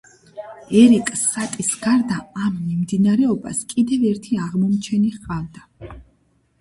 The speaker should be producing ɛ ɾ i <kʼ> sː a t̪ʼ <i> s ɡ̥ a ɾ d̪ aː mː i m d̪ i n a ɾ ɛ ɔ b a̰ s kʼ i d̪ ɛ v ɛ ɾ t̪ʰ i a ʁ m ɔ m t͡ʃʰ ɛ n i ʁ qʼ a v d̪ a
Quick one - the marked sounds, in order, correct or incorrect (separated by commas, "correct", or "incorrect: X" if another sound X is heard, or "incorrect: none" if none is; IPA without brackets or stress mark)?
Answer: correct, correct